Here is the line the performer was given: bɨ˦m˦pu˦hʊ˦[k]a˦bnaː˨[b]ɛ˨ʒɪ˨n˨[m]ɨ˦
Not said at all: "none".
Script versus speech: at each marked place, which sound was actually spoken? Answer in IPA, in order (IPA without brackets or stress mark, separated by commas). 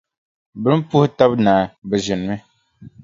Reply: t, b, m